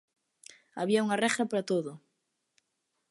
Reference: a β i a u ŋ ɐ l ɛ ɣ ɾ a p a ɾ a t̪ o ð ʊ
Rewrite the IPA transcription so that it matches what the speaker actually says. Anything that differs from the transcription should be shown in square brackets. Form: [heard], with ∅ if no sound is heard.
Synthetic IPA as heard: a β i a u ŋ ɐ [r] ɛ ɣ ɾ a p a ɾ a t̪ o ð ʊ